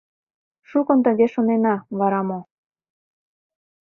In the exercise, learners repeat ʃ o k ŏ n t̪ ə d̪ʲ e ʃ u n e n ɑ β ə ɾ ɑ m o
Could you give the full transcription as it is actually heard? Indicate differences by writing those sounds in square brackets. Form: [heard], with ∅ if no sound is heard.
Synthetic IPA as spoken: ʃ [u] k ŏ n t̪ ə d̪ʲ e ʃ [o] n e n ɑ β [ɑ] ɾ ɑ m o

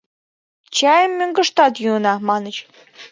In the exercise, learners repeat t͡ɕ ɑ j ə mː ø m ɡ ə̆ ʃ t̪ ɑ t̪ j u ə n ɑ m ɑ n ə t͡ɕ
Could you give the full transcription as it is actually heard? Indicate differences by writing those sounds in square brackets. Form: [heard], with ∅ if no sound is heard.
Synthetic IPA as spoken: t͡ɕ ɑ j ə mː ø [ŋ] ɡ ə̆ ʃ t̪ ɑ t̪ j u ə n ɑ m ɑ n ə t͡ɕ

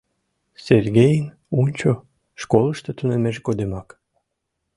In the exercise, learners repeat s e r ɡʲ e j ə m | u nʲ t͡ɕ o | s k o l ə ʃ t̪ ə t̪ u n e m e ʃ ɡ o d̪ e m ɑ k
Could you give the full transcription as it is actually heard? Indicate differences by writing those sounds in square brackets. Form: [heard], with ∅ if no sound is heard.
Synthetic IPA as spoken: s e r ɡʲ e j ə [n] | u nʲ t͡ɕ o | [ʃ] k o l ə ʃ t̪ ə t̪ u n e m e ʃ ɡ o d̪ e m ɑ k

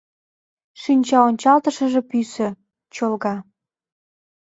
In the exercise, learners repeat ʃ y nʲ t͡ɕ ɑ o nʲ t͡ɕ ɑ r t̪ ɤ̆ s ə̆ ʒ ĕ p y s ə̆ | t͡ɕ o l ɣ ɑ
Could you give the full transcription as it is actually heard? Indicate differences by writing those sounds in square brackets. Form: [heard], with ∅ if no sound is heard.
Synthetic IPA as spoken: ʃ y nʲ t͡ɕ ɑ o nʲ t͡ɕ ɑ [l] t̪ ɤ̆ [ʃ] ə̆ ʒ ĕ p y s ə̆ | t͡ɕ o l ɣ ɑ

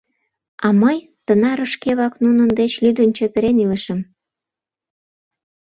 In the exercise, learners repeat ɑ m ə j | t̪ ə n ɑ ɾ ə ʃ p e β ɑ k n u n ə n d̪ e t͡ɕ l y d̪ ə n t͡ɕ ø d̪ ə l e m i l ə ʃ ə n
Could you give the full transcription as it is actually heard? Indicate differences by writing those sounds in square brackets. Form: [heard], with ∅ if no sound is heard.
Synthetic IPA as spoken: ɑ m ə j | t̪ ə n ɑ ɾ ə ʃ [k] e β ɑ k n u n ə n d̪ e t͡ɕ l y d̪ ə n t͡ɕ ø [t̪] ə [ɾ] e [n] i l ə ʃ ə [m]

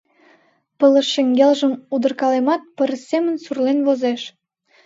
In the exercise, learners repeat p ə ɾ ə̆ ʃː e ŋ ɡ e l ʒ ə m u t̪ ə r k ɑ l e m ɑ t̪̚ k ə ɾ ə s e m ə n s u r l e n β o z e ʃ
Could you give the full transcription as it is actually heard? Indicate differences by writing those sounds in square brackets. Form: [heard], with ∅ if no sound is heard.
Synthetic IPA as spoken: p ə [l] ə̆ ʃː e ŋ ɡ e l ʒ ə m u [d̪] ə r k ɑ l e m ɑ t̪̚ [p] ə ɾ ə s e m ə n s u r l e n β o z e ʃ

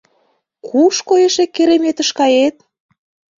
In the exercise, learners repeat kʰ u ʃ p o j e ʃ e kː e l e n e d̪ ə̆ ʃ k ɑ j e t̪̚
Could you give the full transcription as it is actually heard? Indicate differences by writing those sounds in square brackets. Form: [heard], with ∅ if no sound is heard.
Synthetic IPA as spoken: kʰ u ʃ [k] o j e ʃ e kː e [ɾ] e [m] e [t̪] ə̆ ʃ k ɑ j e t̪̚

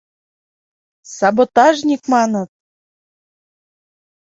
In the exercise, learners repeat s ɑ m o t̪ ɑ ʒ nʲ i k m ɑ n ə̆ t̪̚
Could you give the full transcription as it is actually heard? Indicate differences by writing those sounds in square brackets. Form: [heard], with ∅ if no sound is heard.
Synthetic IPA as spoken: s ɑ [b] o t̪ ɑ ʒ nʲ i k m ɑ n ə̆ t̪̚

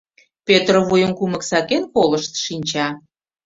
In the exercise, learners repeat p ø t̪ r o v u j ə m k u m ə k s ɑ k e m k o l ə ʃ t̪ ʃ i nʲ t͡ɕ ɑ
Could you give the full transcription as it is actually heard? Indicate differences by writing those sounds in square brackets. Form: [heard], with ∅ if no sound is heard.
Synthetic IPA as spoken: p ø t̪ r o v u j ə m k u m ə k s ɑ k e [n] k o l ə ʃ t̪ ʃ i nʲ t͡ɕ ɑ

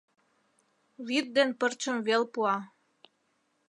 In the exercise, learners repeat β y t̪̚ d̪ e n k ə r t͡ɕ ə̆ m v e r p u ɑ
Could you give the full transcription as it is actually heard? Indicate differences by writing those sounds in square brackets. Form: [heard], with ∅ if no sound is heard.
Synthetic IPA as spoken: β [i] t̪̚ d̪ e n [p] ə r t͡ɕ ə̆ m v e [l] p u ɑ

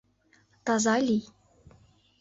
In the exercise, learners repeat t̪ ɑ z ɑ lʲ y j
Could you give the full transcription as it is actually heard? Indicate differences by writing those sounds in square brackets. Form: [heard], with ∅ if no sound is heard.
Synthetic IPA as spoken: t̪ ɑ z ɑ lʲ [i] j

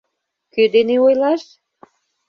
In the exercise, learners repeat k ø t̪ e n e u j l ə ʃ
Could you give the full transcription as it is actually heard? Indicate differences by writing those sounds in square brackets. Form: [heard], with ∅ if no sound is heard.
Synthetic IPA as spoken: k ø [d̪] e n e [o] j l [ɑ] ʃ

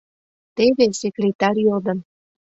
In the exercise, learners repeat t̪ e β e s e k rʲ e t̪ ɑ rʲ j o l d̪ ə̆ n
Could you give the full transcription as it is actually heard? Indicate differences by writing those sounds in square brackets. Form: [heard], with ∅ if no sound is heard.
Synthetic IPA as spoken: t̪ e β e s e k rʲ e t̪ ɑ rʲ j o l d̪ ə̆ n

